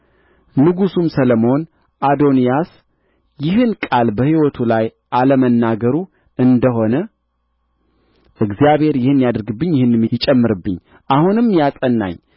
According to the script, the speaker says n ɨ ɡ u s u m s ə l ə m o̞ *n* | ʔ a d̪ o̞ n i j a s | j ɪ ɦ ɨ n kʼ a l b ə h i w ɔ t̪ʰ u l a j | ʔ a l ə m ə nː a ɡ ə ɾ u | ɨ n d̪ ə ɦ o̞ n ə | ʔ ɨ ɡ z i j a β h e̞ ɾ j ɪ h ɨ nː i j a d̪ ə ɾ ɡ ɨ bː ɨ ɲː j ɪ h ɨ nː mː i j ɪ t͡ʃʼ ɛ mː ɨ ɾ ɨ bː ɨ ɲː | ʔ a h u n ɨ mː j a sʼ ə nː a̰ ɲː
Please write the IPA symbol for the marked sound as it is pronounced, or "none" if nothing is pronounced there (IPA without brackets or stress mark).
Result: n